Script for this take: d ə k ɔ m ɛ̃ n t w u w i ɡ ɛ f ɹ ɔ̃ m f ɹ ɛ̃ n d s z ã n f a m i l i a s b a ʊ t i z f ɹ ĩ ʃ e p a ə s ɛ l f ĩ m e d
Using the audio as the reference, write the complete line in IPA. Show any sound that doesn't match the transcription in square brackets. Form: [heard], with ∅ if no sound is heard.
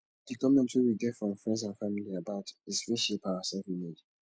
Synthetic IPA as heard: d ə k ɔ m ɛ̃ n t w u w i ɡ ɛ f ɹ ɔ̃ m f ɹ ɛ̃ n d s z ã n f a m i l i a [∅] b a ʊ t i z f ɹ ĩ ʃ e p a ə s ɛ l f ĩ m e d

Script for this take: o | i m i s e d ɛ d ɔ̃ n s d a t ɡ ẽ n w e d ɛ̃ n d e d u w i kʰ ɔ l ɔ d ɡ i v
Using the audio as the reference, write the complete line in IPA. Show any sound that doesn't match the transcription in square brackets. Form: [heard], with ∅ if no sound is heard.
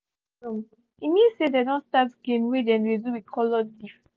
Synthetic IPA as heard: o | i m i s e d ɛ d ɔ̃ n s [t] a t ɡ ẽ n w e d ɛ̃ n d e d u w i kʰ ɔ l ɔ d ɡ i [f]

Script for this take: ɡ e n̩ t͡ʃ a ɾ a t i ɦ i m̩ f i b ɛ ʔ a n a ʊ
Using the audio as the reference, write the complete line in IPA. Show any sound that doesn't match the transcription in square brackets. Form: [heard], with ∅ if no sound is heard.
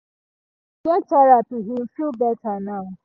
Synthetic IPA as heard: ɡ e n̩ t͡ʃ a ɾ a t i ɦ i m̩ f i b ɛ [t] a n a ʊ

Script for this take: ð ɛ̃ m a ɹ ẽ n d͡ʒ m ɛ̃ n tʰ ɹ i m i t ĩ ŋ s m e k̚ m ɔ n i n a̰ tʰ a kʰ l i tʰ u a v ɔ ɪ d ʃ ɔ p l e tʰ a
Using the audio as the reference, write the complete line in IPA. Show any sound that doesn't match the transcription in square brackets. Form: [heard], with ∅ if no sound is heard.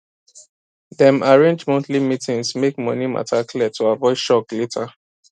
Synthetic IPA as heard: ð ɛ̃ m a ɹ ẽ n d͡ʒ m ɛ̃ n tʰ [l] i m i t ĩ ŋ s m e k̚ m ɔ n i [m] a̰ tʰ a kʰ l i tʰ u a v ɔ ɪ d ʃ ɔ [k] l e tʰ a

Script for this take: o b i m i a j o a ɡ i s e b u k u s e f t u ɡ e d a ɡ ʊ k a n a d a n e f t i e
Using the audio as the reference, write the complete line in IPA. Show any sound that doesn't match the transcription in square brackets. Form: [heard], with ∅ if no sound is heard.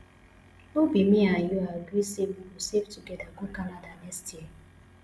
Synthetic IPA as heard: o b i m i a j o a ɡ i s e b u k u s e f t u ɡ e d a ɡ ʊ k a n a d a n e [s] t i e

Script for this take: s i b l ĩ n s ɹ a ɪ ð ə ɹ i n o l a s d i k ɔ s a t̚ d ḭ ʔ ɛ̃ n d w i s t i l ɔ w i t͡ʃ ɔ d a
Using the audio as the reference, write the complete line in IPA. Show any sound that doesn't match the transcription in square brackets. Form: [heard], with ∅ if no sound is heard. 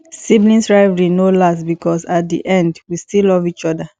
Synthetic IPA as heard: s i b l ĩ n s ɹ a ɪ [v] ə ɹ i n o l a s [b] i k ɔ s a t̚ d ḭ ʔ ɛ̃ n d w i s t i l ɔ [v] i t͡ʃ ɔ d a

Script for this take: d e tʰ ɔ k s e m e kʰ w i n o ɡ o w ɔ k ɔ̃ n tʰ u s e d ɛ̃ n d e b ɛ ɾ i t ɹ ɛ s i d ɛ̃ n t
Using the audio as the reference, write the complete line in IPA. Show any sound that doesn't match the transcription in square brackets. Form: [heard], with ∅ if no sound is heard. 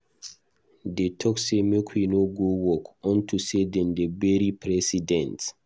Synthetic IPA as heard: d e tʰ ɔ k s e m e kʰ w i n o ɡ o w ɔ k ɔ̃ n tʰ u s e d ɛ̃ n d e b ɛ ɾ i [p] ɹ ɛ s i d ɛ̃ n t

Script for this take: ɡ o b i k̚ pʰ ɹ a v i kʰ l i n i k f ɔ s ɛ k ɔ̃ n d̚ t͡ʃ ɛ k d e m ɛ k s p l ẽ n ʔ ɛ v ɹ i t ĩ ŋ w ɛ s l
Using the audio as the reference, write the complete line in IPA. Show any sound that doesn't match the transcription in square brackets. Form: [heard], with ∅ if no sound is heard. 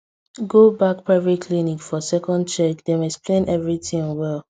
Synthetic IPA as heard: ɡ o b [a] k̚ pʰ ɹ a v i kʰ l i n i k f ɔ s ɛ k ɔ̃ n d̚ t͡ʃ ɛ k d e m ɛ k s p l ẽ n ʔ ɛ v ɹ i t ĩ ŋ w ɛ [∅] l

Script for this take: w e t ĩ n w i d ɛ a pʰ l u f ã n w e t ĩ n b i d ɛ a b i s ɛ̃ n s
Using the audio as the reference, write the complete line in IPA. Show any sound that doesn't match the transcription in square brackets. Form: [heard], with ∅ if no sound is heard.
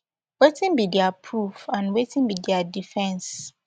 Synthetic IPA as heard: w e t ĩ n [b] i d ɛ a pʰ [ɹ] u f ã n w e t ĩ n b i d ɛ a [d] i [f] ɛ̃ n s

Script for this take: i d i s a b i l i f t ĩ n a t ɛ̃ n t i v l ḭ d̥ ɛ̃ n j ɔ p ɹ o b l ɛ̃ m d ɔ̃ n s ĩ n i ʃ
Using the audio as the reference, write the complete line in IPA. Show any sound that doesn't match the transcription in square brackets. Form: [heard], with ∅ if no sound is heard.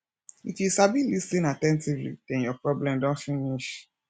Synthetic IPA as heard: i [t] i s a b i l i [s] t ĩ n a t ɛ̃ n t i v l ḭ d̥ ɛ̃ n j ɔ p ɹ [ɔ] b l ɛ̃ m d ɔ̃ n [f] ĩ n i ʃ

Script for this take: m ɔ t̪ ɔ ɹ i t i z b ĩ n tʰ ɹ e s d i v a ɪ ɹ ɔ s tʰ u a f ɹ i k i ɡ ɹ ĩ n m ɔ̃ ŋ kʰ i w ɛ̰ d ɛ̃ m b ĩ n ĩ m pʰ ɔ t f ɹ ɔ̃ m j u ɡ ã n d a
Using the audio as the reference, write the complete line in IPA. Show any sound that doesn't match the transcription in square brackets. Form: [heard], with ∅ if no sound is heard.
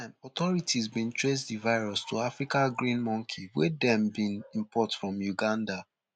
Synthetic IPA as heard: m ɔ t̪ ɔ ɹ i t i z b ĩ n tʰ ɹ e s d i v a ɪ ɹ ɔ s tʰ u a f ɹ i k [a] ɡ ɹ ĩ n m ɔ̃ ŋ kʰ i w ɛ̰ d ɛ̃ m b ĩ n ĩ m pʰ ɔ t f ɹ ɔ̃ m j u ɡ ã n d a

